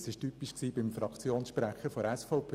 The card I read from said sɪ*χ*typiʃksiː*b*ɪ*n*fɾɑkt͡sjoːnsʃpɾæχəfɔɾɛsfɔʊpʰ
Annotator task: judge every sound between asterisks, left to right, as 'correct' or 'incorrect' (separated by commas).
incorrect, correct, incorrect